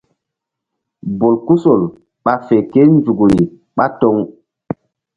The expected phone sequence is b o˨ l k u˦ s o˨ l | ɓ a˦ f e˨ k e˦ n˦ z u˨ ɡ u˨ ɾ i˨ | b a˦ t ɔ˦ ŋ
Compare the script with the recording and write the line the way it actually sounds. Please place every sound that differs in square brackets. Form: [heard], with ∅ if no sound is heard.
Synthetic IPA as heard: b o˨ l k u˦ s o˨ l | ɓ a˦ f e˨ k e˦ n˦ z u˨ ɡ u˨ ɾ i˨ | [ɓ] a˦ t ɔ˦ ŋ